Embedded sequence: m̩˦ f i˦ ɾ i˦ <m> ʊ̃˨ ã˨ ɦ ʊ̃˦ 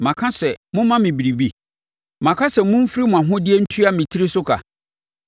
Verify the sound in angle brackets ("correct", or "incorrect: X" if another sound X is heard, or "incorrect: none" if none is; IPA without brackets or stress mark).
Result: correct